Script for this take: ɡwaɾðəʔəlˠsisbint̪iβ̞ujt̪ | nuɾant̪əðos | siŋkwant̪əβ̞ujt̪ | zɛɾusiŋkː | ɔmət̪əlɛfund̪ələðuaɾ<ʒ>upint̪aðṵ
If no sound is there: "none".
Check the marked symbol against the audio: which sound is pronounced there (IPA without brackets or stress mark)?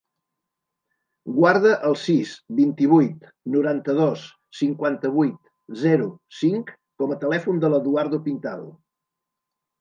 ð